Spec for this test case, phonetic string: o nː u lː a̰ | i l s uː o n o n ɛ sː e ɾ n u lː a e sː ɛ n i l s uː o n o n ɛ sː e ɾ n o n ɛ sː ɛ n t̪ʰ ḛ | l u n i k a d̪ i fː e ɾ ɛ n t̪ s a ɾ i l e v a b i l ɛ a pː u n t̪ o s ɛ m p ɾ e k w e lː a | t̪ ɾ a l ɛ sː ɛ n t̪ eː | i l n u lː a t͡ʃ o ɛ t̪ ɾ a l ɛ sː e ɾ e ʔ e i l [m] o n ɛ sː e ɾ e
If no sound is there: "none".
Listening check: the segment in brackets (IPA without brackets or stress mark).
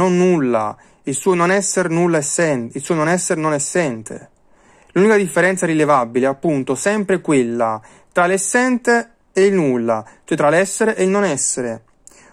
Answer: n